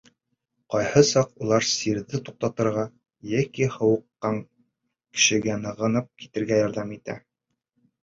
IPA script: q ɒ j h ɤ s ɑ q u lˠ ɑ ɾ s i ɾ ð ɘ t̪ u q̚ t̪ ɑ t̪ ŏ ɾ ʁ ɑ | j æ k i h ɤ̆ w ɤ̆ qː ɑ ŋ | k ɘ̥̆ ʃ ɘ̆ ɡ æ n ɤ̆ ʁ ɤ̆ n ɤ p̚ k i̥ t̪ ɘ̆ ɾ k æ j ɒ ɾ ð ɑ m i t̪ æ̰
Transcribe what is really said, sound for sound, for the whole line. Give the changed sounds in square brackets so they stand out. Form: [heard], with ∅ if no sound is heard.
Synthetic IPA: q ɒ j h ɤ s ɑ q u lˠ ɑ ɾ s i ɾ ð ɘ t̪ u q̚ t̪ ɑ t̪ [ɤ̆] ɾ ʁ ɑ | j æ k i h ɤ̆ w ɤ̆ qː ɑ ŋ | k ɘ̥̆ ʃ ɘ̆ ɡ æ n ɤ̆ ʁ ɤ̆ n ɤ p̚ k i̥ t̪ ɘ̆ ɾ [ɡ] æ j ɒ ɾ ð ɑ m i t̪ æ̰